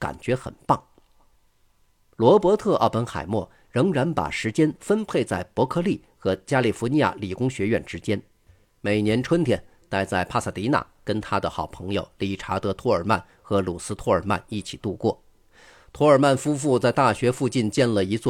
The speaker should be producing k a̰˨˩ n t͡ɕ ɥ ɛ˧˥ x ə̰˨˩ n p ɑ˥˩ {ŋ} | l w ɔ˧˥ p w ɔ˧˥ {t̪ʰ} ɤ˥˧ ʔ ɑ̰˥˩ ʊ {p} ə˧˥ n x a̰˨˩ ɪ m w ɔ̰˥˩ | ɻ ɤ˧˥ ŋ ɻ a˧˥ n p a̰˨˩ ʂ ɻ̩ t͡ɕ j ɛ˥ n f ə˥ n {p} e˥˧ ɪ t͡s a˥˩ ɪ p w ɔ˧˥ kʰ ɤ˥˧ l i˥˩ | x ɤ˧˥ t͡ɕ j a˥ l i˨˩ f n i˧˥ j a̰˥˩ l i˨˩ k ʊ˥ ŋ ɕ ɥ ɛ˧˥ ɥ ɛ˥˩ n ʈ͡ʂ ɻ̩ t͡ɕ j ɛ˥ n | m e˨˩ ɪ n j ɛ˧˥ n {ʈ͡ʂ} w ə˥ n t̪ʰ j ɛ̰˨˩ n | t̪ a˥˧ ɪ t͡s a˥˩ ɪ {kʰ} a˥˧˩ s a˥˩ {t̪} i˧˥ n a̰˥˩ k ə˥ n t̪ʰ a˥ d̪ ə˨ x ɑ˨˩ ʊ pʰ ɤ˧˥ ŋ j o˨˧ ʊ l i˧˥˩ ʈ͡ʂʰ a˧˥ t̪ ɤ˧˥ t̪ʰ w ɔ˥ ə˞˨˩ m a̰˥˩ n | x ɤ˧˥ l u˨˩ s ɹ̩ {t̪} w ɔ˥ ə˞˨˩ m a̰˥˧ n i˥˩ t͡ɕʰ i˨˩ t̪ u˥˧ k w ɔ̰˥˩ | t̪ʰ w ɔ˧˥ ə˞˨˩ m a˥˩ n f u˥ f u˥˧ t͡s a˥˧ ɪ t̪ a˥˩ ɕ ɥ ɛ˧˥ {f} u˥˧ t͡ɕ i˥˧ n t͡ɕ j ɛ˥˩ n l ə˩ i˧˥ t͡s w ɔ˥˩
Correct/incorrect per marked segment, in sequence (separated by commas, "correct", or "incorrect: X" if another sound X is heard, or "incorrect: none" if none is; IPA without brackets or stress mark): correct, correct, correct, incorrect: pʰ, incorrect: ʈ͡ʂʰ, incorrect: pʰ, correct, incorrect: t̪ʰ, correct